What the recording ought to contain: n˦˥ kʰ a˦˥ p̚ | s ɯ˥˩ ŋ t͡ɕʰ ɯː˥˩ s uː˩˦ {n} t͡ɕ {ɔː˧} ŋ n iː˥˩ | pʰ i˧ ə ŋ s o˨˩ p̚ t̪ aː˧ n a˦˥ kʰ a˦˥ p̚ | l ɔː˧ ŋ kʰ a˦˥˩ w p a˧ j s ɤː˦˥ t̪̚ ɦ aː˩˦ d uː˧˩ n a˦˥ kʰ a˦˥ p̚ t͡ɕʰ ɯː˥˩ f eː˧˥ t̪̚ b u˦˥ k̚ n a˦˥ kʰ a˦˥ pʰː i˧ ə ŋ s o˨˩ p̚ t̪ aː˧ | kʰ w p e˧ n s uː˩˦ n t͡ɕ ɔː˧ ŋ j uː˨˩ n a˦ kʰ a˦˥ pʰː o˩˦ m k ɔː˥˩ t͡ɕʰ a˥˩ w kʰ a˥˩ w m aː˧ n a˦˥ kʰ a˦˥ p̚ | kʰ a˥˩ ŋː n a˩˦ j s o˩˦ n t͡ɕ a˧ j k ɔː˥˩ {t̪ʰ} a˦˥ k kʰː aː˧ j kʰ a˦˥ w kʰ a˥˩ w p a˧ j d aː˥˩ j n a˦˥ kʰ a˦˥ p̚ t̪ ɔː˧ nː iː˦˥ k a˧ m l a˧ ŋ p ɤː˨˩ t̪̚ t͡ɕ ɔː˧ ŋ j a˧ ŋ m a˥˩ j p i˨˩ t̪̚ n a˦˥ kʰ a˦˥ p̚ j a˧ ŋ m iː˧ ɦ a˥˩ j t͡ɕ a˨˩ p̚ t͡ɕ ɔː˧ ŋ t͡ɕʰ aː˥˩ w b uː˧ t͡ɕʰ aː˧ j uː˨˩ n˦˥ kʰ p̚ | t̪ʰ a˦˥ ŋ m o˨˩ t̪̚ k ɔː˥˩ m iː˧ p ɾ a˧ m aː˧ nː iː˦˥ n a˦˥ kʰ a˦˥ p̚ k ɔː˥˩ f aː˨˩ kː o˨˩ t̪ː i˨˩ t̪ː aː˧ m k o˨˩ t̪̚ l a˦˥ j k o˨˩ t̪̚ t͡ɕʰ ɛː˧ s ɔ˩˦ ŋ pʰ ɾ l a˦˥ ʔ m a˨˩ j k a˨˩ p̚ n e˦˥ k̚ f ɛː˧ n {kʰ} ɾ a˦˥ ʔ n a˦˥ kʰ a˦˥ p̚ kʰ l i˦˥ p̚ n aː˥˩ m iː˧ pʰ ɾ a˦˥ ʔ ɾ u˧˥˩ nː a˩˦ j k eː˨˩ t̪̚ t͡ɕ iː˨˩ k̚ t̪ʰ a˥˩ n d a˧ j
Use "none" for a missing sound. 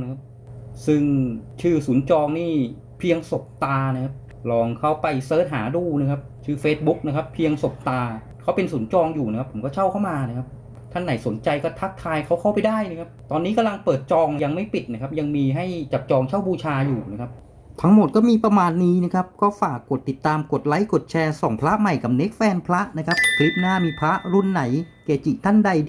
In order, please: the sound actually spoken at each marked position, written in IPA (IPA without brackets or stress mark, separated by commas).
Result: n, ɔː˧, t̪ʰ, pʰ